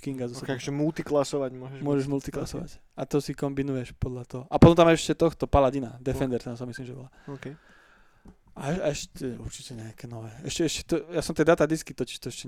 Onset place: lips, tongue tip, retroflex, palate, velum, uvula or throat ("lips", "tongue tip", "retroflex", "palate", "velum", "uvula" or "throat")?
velum